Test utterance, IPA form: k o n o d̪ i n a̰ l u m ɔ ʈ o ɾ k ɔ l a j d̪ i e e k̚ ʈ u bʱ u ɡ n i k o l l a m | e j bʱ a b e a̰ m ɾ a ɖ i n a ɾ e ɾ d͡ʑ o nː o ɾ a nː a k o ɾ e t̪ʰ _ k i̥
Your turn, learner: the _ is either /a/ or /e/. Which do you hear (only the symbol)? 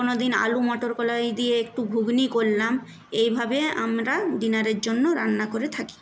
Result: a